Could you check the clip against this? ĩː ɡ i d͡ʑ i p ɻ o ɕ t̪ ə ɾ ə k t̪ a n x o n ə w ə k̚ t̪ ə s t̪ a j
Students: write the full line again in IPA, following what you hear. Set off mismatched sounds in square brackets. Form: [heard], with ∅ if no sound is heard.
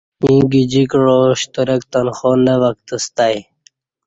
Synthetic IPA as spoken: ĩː ɡ i d͡ʑ i [k] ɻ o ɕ t̪ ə ɾ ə k t̪ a n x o n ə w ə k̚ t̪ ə s t̪ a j

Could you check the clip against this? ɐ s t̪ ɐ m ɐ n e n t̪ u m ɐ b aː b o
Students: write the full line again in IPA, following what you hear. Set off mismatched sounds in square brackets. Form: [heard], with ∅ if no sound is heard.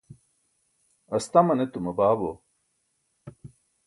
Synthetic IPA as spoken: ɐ s t̪ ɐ m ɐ n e [∅] t̪ u m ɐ b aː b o

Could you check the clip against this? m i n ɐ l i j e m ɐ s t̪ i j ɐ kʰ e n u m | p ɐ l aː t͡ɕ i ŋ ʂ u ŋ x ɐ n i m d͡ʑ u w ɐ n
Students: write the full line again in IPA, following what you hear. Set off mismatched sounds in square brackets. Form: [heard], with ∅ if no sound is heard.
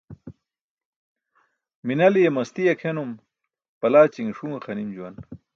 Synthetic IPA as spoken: m i n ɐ l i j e m ɐ s t̪ i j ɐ kʰ e n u m | p ɐ l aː t͡ɕ i ŋ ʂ u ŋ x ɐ n i m d͡ʑ u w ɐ n

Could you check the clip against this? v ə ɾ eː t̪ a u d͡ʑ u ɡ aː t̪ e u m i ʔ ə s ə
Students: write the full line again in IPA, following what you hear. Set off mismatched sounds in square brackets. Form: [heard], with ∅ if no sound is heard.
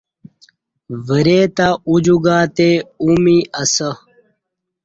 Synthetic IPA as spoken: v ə ɾ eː t̪ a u d͡ʑ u ɡ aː t̪ e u m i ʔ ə s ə

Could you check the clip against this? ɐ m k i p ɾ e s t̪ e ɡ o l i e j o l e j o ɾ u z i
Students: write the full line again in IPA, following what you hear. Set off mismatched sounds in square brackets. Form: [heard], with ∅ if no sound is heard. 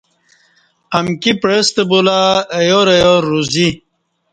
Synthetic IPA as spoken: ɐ m k i p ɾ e s t̪ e [b] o l [a] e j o [ɾ] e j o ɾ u z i

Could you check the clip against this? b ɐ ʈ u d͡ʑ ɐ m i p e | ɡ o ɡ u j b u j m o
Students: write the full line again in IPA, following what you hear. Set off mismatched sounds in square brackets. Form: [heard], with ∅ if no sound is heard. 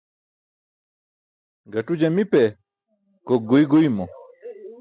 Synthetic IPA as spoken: [ɡ] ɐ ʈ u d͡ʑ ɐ m i p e | [k] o ɡ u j [ɡ] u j m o

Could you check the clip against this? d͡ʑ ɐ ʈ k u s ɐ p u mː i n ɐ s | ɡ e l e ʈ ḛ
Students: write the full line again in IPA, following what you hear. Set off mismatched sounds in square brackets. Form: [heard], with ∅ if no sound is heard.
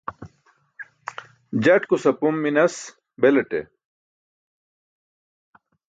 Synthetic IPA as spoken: d͡ʑ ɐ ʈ k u s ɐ p u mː i n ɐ s | [b] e l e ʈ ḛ

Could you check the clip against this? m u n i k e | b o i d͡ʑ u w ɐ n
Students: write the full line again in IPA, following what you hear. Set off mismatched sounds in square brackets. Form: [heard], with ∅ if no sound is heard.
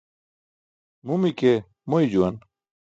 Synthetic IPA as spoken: m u [m] i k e | [m] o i d͡ʑ u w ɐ n

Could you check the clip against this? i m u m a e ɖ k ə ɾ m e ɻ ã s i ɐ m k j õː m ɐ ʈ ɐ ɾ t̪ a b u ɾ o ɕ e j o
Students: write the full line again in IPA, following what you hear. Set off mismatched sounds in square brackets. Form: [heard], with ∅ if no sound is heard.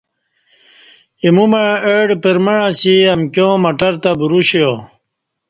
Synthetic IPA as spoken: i m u m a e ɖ [p] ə ɾ m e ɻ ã s i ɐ m k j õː m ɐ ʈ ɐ ɾ t̪ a b u ɾ [u] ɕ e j o

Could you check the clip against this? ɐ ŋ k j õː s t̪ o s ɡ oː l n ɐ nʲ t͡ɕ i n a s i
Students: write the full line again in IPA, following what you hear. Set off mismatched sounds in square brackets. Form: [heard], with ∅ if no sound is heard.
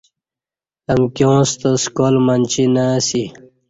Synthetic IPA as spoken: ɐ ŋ k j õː s t̪ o s [k] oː l [m] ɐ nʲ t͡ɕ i n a s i

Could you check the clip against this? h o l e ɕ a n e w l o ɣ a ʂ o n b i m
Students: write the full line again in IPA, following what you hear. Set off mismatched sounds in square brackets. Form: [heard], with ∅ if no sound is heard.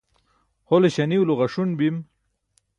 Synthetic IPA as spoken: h o l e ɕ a n [i] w l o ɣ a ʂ [u] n b i m

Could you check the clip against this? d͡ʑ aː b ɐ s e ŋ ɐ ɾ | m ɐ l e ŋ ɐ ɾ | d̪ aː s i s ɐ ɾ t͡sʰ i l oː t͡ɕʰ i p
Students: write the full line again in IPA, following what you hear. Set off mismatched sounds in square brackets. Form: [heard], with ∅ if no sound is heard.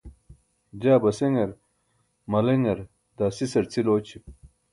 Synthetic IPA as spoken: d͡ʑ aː b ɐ s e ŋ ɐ ɾ | m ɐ l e ŋ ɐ ɾ | d̪ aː s i s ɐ ɾ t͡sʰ i l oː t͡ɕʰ i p

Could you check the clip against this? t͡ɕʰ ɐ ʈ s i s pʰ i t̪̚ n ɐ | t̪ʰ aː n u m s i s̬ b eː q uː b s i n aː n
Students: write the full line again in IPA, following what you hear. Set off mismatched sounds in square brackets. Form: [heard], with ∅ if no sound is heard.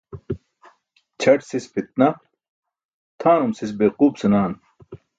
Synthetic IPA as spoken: t͡ɕʰ ɐ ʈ s i s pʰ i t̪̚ n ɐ | t̪ʰ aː n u m s i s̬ b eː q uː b s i n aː n

